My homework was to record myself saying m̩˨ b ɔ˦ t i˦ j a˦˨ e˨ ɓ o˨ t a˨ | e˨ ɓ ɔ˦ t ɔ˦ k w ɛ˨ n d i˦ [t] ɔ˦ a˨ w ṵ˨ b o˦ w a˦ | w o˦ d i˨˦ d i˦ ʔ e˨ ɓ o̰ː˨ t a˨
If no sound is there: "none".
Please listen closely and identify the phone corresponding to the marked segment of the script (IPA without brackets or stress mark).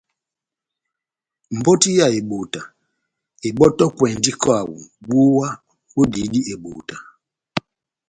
k